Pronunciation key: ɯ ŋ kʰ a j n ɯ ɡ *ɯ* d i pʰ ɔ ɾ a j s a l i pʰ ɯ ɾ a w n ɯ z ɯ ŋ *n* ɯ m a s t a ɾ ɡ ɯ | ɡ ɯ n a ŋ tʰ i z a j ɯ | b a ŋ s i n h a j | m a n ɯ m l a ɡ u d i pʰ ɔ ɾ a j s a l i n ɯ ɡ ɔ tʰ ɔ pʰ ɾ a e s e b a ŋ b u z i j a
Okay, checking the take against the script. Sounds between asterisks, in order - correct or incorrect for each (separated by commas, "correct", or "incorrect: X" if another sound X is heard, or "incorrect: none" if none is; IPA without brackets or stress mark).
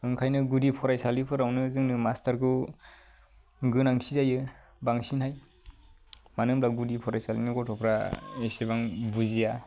incorrect: u, correct